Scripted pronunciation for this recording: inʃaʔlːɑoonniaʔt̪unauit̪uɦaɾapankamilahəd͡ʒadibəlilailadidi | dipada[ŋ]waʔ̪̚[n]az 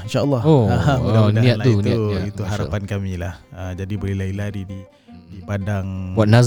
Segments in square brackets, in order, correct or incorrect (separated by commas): correct, correct